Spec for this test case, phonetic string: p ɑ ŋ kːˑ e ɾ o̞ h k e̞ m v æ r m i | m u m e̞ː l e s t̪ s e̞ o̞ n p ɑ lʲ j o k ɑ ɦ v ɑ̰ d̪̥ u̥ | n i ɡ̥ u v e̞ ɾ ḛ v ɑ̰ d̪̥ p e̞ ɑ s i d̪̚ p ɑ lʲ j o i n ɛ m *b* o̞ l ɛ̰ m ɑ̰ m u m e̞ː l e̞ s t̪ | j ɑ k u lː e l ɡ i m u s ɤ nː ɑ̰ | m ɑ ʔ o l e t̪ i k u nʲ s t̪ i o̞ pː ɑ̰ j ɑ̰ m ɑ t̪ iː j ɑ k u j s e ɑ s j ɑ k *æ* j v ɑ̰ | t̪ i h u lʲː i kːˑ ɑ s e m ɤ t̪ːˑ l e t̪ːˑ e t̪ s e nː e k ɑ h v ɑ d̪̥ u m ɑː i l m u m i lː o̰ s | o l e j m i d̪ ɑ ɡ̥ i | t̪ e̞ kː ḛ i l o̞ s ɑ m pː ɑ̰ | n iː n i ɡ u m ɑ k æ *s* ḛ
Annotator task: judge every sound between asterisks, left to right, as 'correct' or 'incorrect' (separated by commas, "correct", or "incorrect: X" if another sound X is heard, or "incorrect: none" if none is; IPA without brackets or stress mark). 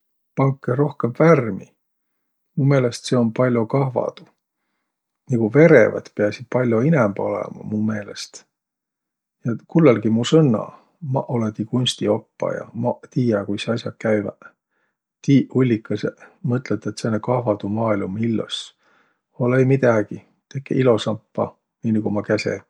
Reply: correct, correct, correct